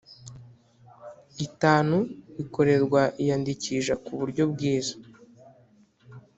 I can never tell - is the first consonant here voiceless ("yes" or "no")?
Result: yes